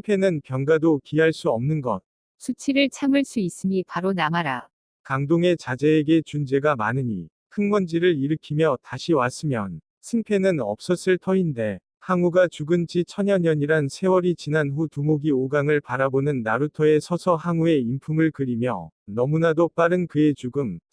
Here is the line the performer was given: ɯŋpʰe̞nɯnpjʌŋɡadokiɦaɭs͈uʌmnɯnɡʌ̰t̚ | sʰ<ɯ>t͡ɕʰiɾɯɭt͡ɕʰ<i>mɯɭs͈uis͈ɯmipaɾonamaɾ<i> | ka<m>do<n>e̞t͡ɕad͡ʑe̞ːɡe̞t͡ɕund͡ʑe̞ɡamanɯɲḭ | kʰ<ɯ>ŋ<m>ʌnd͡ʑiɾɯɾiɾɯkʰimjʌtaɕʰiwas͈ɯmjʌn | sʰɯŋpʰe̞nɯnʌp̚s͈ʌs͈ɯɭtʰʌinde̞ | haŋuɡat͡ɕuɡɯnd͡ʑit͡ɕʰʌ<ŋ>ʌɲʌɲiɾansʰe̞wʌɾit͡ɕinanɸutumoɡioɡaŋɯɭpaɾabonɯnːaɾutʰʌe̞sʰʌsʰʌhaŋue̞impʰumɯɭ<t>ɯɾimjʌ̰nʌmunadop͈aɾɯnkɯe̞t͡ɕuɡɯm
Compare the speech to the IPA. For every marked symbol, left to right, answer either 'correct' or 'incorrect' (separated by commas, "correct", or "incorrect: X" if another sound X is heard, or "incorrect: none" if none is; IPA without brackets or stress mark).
incorrect: u, incorrect: a, incorrect: a, incorrect: ŋ, incorrect: ŋ, correct, correct, incorrect: ɲ, incorrect: k